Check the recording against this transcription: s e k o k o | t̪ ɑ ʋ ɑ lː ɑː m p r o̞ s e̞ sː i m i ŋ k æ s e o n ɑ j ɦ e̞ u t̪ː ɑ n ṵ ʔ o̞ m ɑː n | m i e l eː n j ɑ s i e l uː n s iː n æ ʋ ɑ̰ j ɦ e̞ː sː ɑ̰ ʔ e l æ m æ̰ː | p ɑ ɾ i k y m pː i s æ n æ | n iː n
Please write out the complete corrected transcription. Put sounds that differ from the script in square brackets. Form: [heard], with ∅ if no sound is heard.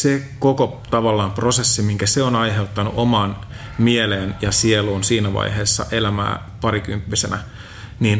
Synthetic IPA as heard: s e k o k o | t̪ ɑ ʋ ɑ lː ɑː m p r o̞ s e̞ sː i m i ŋ k æ s e o n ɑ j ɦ e̞ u t̪ː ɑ n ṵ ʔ o̞ m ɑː n | m i e l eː n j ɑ s i e l uː n s iː n æ ʋ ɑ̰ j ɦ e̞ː sː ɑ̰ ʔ e l æ m æ̰ː | p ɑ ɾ i k y m pː i s [e] n æ | n iː n